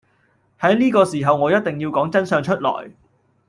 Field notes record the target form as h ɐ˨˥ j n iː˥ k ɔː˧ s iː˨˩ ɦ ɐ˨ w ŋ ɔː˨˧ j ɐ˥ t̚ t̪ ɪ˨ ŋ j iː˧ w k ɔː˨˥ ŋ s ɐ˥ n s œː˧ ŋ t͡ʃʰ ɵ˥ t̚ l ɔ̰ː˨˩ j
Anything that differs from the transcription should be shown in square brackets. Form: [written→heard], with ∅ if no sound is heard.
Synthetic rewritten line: h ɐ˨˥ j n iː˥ k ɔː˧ s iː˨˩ ɦ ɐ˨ w ŋ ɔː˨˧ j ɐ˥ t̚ t̪ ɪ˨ ŋ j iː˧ w k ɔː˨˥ ŋ [s→t͡s] ɐ˥ n s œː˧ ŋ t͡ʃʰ ɵ˥ t̚ l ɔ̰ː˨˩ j